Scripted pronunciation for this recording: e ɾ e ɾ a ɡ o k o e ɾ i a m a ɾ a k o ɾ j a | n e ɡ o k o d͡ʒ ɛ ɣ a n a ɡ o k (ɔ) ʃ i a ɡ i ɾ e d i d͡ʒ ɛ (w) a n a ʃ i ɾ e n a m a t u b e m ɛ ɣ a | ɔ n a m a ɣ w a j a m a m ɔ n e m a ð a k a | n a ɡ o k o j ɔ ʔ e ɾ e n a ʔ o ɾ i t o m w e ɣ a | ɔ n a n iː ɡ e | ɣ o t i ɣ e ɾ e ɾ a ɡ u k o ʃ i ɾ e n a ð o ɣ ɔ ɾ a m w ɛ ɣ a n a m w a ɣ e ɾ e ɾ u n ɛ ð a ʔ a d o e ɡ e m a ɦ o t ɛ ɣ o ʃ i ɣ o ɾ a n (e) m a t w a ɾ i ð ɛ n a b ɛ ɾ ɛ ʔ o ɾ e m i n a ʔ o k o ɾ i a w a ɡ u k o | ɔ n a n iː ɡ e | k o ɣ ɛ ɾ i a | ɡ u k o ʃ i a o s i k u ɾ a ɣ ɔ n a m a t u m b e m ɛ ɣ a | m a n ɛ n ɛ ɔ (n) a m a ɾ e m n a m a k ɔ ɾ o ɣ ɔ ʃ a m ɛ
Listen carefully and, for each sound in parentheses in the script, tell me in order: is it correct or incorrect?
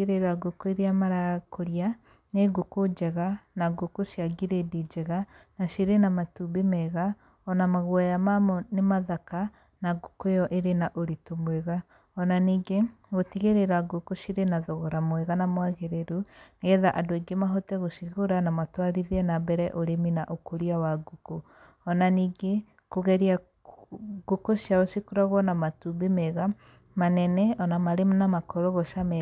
incorrect, incorrect, incorrect, correct

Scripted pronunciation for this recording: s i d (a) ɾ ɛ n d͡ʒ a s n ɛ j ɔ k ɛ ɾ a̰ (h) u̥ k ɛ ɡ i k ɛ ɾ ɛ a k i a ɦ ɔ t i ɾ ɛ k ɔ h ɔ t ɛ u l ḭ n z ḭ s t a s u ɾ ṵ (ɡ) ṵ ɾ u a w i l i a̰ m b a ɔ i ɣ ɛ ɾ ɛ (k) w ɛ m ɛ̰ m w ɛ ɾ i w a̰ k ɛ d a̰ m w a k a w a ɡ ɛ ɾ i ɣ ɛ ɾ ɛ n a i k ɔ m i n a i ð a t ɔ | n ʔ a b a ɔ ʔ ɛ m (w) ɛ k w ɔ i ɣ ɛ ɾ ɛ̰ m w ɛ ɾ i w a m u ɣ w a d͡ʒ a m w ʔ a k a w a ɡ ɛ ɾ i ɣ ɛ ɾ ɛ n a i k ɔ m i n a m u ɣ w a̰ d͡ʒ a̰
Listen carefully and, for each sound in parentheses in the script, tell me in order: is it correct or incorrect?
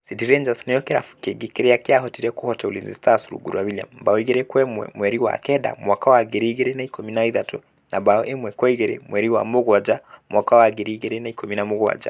incorrect, incorrect, correct, correct, correct

